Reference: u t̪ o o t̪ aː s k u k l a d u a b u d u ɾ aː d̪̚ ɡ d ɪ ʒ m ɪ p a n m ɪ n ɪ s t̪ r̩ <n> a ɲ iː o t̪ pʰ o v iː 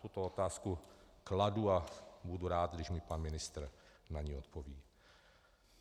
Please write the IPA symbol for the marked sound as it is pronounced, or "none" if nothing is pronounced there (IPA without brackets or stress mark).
n